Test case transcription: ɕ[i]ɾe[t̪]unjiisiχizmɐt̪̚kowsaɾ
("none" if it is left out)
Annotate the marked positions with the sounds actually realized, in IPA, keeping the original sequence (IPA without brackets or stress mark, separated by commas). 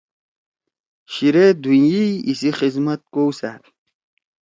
i, d̪